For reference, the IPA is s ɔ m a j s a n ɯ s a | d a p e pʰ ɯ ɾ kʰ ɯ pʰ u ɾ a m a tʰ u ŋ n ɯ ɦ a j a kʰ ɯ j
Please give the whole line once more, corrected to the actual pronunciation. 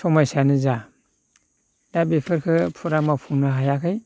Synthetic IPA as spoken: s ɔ m a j s a n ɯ z a | d a b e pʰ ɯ ɾ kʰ ɯ pʰ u ɾ a m a pʰ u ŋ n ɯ ɦ a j a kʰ ɯ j